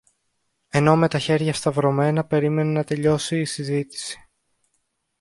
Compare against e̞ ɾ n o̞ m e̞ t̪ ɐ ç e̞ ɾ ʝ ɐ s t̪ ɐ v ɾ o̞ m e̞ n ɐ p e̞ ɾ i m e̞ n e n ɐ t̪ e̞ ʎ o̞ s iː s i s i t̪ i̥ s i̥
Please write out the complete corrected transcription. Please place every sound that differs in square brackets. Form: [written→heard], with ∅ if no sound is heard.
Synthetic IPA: e̞ [ɾ→∅] n o̞ m e̞ t̪ ɐ ç e̞ ɾ ʝ ɐ s t̪ ɐ v ɾ o̞ m e̞ n ɐ p e̞ ɾ i m e̞ n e n ɐ t̪ e̞ ʎ o̞ s iː s i [s→z] i t̪ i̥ s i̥